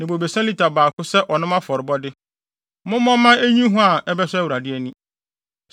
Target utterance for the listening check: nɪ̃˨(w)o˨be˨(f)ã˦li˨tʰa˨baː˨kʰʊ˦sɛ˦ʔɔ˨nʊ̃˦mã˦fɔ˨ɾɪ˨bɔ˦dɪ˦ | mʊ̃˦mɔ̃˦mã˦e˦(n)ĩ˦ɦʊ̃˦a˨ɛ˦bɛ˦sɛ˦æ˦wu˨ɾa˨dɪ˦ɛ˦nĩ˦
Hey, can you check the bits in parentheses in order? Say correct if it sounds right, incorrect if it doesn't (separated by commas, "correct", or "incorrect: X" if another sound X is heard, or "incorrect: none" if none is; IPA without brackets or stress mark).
incorrect: b, incorrect: s, incorrect: ɲ